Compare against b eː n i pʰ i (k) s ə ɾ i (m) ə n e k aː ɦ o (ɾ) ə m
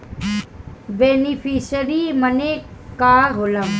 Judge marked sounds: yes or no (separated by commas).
no, yes, no